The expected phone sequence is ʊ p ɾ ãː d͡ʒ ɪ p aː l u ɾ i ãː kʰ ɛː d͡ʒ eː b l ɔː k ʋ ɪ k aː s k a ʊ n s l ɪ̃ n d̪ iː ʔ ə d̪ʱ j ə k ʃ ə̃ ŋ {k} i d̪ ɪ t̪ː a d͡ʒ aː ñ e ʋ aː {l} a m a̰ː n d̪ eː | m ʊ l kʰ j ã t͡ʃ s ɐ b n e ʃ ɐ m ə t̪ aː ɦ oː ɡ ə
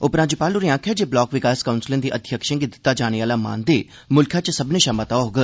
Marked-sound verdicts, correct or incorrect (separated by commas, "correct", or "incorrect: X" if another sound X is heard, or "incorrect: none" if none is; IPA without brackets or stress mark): incorrect: ɡ, correct